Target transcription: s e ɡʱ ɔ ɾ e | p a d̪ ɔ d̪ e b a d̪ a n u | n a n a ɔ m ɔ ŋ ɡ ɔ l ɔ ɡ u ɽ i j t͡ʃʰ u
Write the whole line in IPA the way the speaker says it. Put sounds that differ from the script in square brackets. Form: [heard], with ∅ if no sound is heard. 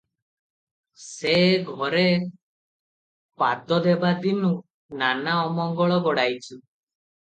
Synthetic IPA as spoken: s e ɡʱ ɔ ɾ e | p a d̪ ɔ d̪ e b a d̪ [i] n u | n a n a ɔ m ɔ ŋ ɡ ɔ [ɭ] ɔ ɡ [ɔ] ɽ [a] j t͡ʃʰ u